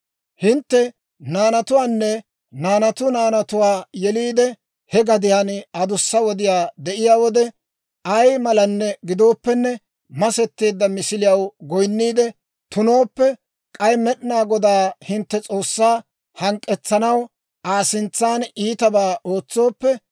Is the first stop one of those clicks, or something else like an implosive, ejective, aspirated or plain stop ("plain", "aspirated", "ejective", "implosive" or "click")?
plain